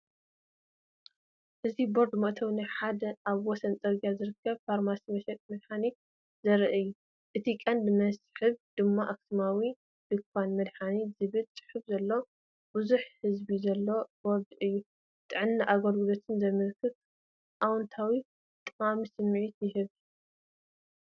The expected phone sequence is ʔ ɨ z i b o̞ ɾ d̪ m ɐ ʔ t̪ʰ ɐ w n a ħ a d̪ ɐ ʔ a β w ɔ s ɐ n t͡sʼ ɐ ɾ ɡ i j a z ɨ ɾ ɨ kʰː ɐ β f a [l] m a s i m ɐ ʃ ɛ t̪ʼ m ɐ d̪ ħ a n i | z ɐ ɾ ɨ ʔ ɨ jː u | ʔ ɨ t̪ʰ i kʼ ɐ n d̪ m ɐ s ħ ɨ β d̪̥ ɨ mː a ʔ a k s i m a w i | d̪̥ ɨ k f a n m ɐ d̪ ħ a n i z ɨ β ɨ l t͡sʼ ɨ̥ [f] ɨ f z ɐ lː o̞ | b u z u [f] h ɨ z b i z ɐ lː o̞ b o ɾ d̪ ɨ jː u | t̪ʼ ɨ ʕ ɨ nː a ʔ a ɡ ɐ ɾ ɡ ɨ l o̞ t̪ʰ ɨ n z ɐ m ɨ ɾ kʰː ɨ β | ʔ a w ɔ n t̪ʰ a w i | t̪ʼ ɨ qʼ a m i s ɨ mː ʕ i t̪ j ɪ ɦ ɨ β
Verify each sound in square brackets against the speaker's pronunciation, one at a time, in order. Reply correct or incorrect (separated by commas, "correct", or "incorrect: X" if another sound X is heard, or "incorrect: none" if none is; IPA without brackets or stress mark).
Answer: incorrect: ɾ, incorrect: ħ, incorrect: ħ